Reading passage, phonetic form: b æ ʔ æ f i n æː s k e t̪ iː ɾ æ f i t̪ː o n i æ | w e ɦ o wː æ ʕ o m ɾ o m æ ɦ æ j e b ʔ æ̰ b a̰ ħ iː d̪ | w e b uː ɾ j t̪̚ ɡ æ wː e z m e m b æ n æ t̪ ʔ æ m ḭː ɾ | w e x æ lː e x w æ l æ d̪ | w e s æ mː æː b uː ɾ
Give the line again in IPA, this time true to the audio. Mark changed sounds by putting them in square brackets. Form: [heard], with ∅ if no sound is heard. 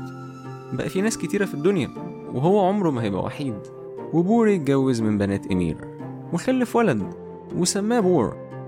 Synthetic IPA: b æ ʔ æ f i n æː s k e t̪ iː ɾ æ f i [d̪ː] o n [j] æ | w e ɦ o wː æ ʕ o m ɾ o m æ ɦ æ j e b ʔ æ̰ [w] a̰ ħ iː d̪ | w e b uː ɾ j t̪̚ ɡ æ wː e z m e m b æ n [æː] t̪ ʔ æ m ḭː ɾ | w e x æ lː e [f] w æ l æ d̪ | w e s æ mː æː b uː ɾ